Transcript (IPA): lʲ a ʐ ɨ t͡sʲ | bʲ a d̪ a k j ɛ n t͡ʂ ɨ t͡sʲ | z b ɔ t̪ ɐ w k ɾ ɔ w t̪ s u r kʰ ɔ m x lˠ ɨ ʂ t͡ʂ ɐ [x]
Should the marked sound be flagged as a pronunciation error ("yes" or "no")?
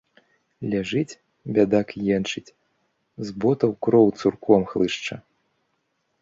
yes